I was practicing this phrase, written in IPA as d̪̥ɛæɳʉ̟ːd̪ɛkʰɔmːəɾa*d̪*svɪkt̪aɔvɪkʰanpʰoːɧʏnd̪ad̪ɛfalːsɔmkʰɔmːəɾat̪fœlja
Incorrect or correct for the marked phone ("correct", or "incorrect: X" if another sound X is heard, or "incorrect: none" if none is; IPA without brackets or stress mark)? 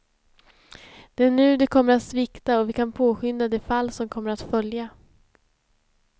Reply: incorrect: t̪